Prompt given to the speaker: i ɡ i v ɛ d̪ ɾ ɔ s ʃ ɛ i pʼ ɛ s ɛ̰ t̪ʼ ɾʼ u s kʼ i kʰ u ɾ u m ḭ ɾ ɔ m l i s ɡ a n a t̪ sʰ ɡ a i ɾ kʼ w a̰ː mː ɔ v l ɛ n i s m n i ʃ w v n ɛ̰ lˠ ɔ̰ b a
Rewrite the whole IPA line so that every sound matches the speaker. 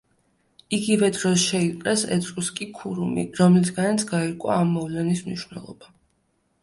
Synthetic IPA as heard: i ɡ i v ɛ d̪ ɾ ɔ s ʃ ɛ i qʼ ɛ s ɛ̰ t̪ʼ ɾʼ u s kʼ i kʰ u ɾ u m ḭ ɾ ɔ m l i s ɡ a n a t̪ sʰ ɡ a i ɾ kʼ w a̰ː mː ɔ v l ɛ n i s m n i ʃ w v n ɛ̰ lˠ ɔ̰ b a